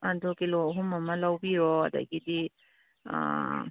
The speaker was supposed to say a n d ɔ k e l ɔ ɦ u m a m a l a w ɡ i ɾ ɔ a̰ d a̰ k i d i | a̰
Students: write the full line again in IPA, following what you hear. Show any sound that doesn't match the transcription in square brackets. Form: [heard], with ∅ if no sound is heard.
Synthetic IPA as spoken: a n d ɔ k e l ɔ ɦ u m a m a l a w [b] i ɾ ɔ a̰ d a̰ [ɡ] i d i | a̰